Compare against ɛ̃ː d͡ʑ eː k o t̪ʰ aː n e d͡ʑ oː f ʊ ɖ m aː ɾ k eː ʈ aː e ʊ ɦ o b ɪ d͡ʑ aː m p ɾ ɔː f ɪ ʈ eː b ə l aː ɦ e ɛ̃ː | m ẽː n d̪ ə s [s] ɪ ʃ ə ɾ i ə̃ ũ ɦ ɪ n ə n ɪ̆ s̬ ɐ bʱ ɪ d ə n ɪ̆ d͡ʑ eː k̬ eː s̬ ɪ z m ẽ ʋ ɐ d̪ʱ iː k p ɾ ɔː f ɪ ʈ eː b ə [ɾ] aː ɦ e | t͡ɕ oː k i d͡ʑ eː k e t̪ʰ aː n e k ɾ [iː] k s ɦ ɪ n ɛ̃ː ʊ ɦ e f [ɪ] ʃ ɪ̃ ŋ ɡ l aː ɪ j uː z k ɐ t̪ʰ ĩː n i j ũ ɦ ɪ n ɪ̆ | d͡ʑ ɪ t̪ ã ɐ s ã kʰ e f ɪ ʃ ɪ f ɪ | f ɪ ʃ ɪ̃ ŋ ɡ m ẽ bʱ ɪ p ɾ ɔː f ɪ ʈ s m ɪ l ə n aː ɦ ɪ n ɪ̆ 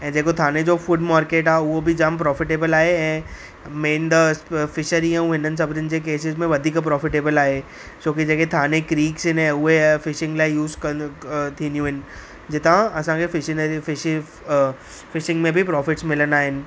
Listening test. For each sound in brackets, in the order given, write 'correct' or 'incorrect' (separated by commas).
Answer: incorrect, incorrect, correct, correct